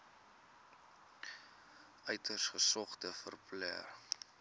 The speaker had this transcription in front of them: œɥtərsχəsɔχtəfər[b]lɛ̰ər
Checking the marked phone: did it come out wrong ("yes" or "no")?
yes